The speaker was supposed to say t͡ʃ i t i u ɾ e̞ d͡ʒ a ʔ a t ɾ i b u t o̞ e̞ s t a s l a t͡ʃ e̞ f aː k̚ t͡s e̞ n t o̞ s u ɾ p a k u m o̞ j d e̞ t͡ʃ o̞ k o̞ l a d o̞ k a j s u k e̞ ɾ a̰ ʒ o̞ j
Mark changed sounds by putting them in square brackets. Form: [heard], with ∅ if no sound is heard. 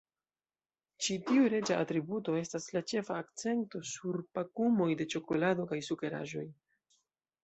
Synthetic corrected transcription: t͡ʃ i t i u ɾ e̞ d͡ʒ a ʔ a t ɾ i b u t o̞ e̞ s t a s l a t͡ʃ e̞ f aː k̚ t͡s e̞ n t o̞ s u ɾ p a k u m o̞ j d e̞ t͡ʃ o̞ k o̞ l a d o̞ k a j s u k e̞ ɾ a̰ ʒ o̞ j